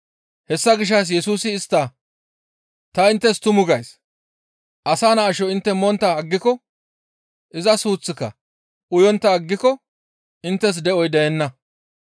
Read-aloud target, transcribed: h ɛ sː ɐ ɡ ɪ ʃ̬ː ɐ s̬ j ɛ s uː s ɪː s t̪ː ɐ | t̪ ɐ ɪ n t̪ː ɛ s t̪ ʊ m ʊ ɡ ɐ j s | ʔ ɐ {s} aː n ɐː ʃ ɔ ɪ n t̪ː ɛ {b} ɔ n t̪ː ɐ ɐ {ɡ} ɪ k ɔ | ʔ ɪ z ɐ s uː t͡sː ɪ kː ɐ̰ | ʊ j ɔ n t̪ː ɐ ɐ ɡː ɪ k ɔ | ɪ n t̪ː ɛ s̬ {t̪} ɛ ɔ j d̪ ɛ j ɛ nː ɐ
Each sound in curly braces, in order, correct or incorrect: correct, incorrect: m, incorrect: ɡː, incorrect: d̪

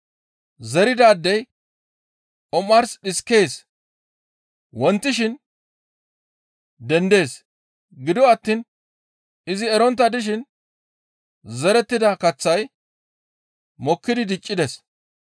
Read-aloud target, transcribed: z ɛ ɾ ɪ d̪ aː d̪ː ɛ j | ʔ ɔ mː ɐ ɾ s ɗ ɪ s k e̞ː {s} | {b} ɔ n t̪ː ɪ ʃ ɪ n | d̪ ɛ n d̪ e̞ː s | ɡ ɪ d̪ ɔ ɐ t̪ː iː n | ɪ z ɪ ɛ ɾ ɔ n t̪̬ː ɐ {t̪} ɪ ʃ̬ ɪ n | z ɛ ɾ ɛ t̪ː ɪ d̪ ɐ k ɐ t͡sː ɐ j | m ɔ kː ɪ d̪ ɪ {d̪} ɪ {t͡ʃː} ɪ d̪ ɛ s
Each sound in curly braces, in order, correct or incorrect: correct, incorrect: w, incorrect: d̪, correct, incorrect: t͡ʃʼː

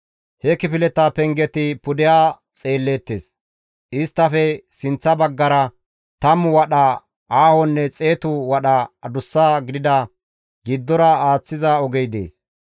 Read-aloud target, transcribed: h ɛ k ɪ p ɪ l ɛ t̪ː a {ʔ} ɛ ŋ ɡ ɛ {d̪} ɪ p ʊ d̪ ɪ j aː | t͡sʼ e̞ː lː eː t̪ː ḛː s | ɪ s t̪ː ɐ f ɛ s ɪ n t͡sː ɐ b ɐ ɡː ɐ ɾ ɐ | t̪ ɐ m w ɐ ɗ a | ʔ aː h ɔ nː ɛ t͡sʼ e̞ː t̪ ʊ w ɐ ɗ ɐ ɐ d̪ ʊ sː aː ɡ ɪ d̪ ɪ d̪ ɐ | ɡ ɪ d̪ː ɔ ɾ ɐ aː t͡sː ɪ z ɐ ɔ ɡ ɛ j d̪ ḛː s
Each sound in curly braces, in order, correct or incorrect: incorrect: p, incorrect: t̪

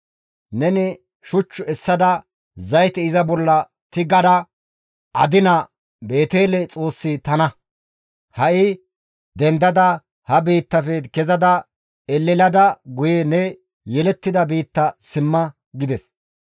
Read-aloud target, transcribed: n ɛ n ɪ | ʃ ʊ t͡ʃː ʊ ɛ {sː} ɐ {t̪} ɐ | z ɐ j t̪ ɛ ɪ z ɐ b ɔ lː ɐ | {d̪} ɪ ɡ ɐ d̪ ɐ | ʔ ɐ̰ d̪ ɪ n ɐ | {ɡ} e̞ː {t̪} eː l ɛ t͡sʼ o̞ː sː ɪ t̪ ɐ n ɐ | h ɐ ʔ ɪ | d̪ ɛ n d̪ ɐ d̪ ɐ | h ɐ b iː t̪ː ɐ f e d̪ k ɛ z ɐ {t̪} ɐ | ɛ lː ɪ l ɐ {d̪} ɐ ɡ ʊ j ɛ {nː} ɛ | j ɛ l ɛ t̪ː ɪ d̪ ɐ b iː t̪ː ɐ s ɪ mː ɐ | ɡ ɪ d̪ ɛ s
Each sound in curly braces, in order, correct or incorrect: correct, incorrect: d̪, incorrect: t̪, incorrect: b, correct, incorrect: d̪, correct, incorrect: n

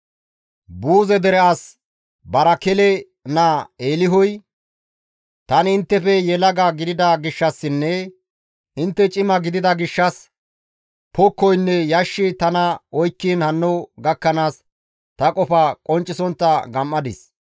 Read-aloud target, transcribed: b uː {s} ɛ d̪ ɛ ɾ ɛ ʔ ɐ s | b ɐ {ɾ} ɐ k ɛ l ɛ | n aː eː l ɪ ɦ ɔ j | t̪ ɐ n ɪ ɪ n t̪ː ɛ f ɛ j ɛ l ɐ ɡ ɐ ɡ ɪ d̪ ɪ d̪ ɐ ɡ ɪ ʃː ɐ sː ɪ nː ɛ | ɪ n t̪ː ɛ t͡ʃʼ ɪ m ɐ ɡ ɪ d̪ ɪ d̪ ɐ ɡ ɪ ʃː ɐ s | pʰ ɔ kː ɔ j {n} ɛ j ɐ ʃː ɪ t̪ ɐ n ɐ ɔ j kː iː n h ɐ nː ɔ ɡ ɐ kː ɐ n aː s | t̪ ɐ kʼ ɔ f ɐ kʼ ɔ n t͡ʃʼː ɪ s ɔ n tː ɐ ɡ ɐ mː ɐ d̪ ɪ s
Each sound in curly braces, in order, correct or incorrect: incorrect: z, correct, incorrect: nː

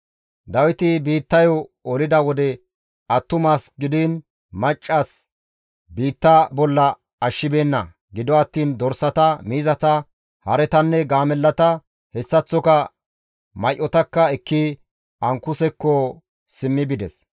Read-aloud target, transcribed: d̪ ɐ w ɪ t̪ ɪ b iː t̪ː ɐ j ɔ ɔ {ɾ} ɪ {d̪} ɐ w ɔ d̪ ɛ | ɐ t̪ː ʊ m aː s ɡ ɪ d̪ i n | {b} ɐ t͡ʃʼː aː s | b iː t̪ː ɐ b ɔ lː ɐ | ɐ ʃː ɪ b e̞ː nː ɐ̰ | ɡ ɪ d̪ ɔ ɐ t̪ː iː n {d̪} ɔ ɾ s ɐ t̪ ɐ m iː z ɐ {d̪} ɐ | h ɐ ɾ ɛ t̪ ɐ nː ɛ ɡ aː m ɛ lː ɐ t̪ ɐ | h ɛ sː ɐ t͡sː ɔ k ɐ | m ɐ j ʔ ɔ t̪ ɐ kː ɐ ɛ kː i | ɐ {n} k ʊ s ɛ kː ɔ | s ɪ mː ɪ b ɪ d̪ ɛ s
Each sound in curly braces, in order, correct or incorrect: incorrect: l, correct, incorrect: m, correct, incorrect: t̪, incorrect: ŋ

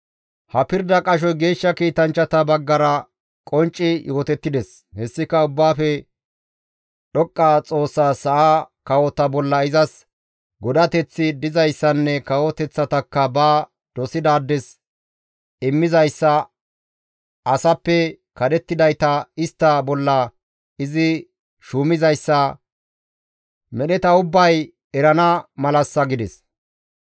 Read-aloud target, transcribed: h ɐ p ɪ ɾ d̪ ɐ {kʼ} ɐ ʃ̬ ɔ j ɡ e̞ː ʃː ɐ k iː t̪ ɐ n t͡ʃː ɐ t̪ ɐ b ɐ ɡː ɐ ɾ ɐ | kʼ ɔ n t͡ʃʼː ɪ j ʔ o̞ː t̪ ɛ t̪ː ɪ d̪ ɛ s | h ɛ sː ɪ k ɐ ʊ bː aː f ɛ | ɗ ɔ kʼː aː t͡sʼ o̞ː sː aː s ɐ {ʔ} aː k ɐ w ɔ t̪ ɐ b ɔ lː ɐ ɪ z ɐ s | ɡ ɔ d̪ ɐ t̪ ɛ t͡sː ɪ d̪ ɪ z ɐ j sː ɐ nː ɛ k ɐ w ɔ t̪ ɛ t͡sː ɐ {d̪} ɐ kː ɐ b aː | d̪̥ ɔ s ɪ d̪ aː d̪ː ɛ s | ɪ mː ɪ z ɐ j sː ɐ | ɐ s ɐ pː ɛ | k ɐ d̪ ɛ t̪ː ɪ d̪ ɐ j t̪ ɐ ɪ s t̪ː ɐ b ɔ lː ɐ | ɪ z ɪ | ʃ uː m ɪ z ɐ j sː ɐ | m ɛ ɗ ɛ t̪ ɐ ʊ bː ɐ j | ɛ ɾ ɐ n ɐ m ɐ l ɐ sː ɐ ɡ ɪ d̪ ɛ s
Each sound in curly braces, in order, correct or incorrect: correct, correct, incorrect: t̪

